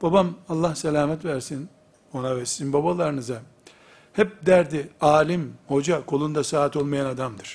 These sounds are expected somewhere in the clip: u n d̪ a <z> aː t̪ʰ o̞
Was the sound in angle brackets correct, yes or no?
no